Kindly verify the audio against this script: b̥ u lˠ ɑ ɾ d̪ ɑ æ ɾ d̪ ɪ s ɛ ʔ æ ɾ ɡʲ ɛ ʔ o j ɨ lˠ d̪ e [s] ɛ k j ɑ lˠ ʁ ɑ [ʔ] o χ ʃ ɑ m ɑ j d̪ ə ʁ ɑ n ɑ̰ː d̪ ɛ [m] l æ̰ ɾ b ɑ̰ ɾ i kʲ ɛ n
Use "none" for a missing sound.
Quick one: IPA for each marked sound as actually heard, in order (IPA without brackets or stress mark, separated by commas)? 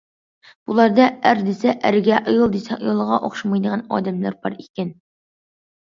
s, ʔ, m